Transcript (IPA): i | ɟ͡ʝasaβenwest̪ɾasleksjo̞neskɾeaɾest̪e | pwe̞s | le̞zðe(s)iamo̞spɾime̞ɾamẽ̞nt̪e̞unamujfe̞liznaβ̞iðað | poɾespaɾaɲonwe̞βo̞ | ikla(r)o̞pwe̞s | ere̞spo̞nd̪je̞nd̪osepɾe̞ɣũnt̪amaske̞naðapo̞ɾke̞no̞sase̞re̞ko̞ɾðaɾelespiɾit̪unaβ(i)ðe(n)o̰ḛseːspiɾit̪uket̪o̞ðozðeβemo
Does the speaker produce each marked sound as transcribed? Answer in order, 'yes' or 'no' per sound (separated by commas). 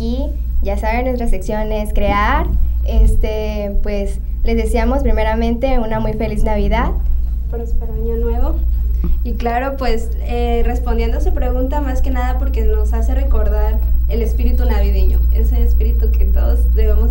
yes, no, yes, no